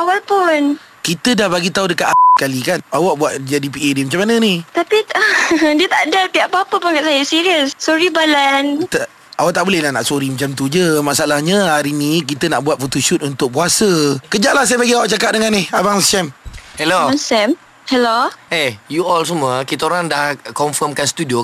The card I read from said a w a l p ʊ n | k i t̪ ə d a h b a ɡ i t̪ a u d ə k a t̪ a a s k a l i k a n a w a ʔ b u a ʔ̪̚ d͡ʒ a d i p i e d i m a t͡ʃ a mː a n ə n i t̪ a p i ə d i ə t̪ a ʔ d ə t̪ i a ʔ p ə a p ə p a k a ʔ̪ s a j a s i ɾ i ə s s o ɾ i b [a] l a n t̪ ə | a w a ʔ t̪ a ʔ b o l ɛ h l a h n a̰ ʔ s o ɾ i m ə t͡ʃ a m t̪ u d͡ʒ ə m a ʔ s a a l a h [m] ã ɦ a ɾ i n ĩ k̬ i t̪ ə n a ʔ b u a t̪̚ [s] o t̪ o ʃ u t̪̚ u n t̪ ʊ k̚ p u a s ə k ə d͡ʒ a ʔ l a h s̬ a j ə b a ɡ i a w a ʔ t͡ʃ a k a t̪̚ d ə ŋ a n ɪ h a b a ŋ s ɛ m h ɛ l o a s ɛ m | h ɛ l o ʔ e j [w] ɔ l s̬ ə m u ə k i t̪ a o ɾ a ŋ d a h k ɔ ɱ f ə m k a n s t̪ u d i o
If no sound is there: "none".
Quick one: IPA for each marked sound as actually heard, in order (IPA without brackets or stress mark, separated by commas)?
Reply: a, ɲ, f, u